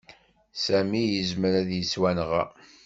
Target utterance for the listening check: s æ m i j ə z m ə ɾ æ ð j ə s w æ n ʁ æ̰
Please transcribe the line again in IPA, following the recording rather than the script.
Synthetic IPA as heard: s æ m i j ə z m ə ɾ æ ð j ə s w æ n ʁ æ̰